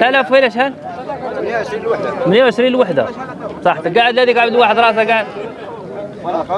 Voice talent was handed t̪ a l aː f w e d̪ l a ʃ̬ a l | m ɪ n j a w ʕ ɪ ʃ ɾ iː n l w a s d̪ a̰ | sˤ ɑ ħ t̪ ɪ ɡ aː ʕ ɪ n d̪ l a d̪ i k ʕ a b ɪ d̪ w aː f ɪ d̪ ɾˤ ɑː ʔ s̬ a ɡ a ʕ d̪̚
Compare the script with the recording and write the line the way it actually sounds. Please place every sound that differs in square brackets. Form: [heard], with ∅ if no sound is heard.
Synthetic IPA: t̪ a l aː f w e [∅] l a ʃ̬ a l | m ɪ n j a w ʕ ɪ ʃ ɾ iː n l w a [ħ] d̪ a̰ | sˤ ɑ ħ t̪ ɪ ɡ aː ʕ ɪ [∅] d̪ l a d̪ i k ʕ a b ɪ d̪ w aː [ħ] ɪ d̪ ɾˤ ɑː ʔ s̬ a ɡ a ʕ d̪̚